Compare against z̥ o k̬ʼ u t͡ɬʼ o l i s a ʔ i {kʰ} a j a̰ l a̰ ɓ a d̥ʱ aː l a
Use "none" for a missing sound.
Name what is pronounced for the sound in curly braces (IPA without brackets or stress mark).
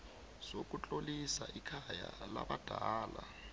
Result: kʰ